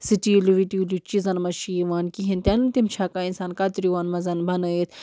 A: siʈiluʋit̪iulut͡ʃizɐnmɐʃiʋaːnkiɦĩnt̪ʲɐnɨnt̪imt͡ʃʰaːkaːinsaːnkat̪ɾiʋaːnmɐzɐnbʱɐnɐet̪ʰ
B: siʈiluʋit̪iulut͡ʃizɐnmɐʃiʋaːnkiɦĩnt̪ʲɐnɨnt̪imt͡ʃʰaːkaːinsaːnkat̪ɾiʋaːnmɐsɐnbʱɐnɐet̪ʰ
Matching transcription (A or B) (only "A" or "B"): A